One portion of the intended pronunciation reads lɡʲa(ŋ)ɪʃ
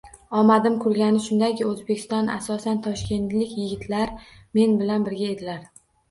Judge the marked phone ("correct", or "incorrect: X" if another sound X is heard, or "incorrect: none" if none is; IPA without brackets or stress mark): incorrect: n